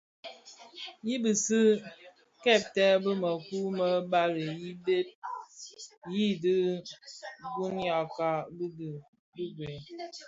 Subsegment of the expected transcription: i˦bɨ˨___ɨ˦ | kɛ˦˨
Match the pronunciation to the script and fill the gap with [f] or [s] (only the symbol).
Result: s